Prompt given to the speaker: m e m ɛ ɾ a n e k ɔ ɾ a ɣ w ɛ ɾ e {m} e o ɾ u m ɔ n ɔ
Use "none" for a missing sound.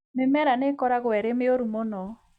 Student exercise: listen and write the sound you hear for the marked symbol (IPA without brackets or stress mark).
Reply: m